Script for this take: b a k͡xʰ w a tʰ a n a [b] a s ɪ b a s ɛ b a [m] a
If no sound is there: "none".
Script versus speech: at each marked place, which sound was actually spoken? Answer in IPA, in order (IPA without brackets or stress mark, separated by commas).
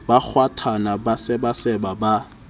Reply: b, b